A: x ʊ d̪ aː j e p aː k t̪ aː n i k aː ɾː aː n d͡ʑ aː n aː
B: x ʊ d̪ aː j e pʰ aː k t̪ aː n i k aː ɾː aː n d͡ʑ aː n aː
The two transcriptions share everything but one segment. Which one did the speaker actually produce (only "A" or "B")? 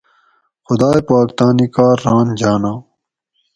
A